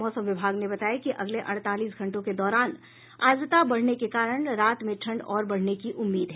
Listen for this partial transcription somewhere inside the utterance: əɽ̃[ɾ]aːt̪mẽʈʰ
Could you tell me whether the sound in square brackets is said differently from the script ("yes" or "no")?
no